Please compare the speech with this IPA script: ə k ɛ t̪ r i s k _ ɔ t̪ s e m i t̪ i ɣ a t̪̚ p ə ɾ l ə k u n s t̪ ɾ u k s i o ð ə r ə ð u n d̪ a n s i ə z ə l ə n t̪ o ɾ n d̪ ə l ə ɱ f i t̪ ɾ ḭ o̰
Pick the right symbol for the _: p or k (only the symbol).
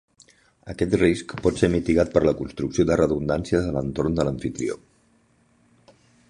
p